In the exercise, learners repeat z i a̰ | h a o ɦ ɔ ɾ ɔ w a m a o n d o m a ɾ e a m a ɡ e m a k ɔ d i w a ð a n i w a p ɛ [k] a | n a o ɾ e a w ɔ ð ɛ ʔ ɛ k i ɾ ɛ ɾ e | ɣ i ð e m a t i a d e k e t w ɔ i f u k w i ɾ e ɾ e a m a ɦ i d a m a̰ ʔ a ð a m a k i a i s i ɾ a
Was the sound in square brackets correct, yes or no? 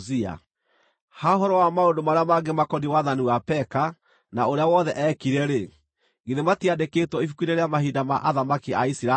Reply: yes